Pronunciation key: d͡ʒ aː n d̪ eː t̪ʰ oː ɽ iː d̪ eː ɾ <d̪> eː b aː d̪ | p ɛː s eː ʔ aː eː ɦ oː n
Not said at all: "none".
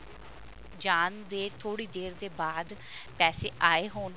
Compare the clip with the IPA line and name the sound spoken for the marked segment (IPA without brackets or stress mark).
d̪